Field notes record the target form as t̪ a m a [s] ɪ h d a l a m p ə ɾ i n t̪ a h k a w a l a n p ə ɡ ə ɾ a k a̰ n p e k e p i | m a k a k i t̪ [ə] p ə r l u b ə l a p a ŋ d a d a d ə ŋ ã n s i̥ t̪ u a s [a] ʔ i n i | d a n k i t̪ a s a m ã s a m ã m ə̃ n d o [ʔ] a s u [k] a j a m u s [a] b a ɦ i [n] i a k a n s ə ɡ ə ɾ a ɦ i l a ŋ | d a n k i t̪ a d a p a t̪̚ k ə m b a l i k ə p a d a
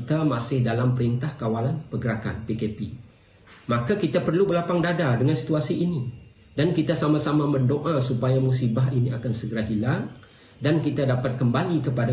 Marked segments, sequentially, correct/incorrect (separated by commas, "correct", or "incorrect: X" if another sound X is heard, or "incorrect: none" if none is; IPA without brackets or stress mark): correct, incorrect: a, incorrect: i, correct, incorrect: p, incorrect: i, correct